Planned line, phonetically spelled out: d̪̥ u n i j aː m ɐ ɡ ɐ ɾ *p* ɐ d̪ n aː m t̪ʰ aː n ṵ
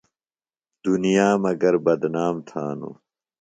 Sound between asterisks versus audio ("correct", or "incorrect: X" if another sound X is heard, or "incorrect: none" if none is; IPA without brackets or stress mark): incorrect: b